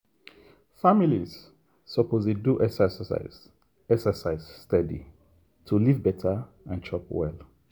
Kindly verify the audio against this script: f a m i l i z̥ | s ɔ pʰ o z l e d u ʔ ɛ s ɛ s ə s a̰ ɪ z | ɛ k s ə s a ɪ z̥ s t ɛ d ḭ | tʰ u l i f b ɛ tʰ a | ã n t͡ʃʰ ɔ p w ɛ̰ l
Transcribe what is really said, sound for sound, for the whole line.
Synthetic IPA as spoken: f a m i l i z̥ | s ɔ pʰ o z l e d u ʔ ɛ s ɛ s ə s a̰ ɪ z | ɛ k s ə s a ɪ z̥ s t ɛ d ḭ | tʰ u l i v b ɛ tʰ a | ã n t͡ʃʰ ɔ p w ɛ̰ l